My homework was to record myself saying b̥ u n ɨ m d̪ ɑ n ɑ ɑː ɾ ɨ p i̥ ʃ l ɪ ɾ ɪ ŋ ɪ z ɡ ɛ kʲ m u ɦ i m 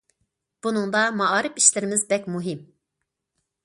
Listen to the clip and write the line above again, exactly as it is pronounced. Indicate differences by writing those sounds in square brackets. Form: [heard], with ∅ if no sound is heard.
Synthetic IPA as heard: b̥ u n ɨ [ŋ] d̪ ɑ [m] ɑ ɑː ɾ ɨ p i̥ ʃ l ɪ ɾ ɪ [m] ɪ z [b] ɛ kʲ m u ɦ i m